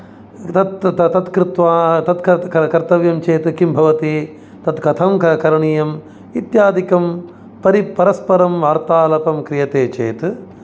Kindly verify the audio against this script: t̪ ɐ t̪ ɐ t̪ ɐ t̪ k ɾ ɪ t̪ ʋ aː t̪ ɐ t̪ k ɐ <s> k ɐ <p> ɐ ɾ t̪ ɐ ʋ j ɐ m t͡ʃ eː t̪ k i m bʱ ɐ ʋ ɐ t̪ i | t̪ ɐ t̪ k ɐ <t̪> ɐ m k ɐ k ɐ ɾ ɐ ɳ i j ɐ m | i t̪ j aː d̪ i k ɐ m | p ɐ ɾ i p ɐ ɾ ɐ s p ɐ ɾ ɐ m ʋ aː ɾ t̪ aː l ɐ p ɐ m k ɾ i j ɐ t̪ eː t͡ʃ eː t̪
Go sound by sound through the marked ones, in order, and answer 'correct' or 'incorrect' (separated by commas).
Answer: incorrect, incorrect, incorrect